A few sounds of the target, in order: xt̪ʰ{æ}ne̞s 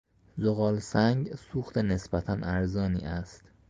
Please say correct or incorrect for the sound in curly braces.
incorrect